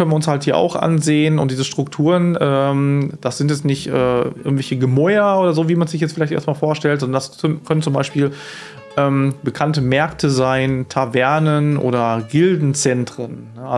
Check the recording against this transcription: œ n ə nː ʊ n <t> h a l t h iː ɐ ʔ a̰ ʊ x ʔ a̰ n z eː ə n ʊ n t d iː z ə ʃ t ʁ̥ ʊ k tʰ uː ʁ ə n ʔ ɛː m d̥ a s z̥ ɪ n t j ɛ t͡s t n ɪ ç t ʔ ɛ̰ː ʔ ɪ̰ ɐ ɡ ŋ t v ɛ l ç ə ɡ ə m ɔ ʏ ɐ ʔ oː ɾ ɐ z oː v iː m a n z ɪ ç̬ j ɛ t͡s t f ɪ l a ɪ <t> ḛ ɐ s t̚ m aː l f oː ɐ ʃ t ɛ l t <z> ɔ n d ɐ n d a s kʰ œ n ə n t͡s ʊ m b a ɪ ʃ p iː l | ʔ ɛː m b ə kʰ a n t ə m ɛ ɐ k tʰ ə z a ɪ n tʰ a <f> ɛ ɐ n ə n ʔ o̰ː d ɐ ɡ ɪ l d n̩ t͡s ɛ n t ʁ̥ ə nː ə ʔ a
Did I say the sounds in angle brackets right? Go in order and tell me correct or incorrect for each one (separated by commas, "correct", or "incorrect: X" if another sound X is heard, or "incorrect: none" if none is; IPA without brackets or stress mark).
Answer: incorrect: s, correct, correct, incorrect: v